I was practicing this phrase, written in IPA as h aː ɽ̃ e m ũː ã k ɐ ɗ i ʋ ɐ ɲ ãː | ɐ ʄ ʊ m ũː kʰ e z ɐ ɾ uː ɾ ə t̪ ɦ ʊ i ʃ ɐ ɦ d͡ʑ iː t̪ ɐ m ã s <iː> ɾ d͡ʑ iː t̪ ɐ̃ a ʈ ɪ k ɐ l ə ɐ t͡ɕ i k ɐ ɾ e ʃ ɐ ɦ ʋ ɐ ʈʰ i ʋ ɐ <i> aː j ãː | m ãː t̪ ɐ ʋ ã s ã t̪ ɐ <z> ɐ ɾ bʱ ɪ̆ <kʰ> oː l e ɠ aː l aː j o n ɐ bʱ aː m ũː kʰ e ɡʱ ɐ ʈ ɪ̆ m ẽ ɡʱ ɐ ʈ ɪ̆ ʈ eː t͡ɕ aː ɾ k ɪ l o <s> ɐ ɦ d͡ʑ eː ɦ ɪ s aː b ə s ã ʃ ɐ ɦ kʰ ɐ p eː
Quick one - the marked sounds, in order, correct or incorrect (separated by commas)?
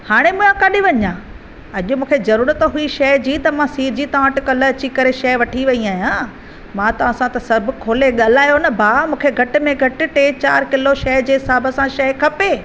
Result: correct, correct, incorrect, correct, incorrect